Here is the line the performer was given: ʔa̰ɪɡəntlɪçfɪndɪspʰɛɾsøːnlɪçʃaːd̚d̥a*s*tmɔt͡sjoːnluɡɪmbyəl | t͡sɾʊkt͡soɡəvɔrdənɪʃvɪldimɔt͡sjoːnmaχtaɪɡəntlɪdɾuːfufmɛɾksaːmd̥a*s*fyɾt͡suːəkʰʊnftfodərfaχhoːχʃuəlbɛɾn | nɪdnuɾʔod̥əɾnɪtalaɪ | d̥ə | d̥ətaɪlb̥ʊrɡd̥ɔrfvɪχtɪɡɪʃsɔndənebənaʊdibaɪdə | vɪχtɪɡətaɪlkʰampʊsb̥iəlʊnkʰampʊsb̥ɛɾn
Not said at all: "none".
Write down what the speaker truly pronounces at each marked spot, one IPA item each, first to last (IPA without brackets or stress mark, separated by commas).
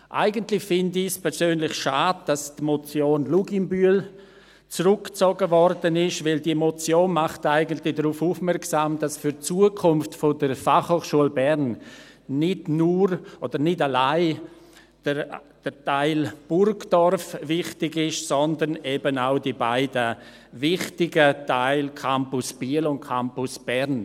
s, s